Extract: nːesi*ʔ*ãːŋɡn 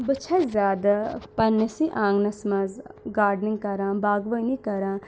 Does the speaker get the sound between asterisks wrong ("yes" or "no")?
no